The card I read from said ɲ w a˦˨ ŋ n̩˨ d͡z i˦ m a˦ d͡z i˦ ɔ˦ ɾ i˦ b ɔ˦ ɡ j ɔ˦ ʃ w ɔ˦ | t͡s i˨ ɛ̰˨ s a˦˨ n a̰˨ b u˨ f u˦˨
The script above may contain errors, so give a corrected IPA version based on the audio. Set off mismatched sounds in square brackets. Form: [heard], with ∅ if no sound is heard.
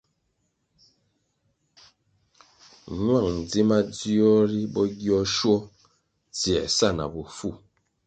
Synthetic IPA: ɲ w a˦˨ ŋ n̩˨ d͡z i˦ m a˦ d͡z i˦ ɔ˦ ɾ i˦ b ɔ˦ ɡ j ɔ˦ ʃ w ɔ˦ | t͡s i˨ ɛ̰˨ s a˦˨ n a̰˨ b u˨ f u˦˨